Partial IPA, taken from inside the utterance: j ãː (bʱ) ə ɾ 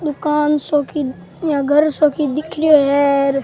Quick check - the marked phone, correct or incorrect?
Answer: incorrect